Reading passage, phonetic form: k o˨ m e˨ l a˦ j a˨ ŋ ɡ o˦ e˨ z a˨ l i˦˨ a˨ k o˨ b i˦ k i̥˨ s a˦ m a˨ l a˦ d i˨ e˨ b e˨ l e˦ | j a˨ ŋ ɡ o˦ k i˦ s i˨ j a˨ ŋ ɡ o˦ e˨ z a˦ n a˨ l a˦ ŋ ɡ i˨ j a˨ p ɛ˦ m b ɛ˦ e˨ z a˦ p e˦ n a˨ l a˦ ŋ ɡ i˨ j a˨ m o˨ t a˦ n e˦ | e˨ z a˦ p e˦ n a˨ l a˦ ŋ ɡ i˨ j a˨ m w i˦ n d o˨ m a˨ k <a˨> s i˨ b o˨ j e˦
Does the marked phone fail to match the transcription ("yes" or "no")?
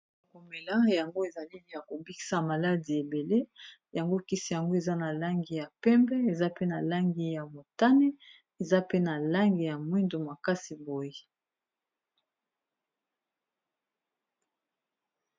yes